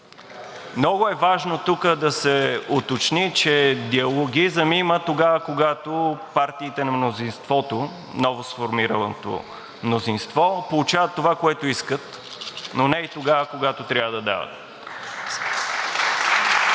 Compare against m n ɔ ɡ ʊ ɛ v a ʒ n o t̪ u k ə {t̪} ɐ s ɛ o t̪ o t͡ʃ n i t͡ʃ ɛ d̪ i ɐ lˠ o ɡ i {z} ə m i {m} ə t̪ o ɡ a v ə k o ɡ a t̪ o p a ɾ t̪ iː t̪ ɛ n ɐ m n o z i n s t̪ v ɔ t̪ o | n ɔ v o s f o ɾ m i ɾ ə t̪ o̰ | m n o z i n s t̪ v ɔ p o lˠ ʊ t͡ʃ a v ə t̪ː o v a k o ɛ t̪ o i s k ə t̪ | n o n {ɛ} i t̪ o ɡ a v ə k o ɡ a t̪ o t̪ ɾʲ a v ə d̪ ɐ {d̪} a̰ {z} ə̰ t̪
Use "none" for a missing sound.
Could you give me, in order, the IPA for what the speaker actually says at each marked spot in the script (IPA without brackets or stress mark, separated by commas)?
d̪, z, m, ɛ, d̪, v